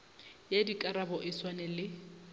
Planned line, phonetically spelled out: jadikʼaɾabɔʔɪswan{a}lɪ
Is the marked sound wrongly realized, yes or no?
yes